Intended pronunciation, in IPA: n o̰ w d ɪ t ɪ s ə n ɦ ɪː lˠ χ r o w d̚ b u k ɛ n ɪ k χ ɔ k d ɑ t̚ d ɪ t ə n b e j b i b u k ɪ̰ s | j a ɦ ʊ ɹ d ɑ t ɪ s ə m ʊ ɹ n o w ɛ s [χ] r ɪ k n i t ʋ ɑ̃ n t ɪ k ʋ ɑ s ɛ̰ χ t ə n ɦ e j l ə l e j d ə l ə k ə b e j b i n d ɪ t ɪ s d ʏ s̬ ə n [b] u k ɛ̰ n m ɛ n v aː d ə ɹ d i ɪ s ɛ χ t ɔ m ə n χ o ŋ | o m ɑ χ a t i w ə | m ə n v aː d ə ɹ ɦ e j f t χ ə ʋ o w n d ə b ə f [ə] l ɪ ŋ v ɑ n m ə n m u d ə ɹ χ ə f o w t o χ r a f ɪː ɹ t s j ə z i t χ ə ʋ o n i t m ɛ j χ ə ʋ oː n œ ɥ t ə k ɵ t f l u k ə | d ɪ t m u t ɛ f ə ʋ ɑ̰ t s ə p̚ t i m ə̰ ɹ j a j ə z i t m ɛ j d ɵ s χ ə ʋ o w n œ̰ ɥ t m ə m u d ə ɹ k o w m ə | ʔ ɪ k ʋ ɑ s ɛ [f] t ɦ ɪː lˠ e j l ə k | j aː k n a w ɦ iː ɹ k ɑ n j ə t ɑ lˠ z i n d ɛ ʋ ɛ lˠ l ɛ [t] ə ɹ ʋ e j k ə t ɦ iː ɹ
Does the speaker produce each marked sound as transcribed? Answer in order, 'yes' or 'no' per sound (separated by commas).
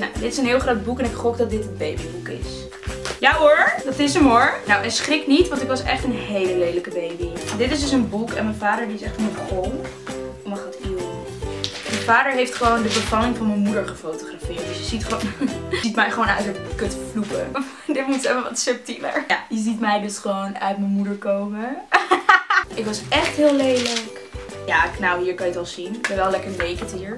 yes, yes, no, no, no